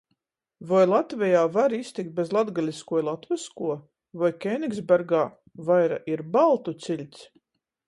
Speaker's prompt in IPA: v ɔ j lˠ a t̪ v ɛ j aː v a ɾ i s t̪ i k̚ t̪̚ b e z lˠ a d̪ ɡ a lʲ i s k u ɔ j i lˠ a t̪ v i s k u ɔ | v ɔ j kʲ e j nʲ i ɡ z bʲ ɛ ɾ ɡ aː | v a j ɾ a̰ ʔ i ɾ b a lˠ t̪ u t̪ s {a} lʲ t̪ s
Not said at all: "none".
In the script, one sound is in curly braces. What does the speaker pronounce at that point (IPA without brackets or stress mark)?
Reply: i